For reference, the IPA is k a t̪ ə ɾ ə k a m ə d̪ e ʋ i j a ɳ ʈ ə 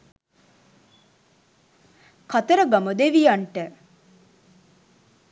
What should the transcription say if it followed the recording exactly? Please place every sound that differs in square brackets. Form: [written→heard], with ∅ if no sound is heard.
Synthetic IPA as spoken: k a t̪ ə ɾ ə [k→ɡ] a m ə d̪ e ʋ i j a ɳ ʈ ə